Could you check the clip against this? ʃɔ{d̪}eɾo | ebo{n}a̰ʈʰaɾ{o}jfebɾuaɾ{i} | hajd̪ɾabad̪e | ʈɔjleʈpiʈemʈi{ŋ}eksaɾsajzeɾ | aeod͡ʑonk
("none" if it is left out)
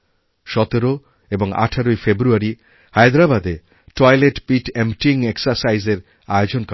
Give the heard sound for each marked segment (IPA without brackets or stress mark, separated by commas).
t̪, ŋ, o, i, ŋ